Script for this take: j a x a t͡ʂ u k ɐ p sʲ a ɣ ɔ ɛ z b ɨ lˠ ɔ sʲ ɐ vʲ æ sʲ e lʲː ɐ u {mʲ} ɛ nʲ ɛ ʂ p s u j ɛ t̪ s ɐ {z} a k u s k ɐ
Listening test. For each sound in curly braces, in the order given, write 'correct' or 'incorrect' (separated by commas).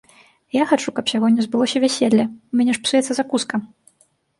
correct, correct